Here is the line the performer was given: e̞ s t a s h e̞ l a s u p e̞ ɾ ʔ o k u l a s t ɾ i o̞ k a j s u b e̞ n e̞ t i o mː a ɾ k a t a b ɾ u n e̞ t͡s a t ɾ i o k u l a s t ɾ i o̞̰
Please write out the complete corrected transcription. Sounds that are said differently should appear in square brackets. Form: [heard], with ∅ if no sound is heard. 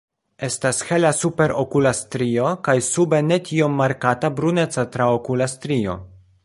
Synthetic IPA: e̞ s t a s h e̞ l a s u p e̞ ɾ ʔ o k u l a s t ɾ i o̞ k a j s u b e̞ n e̞ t i o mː a ɾ k a t a b ɾ u n e̞ t͡s a t ɾ [a] o k u l a s t ɾ i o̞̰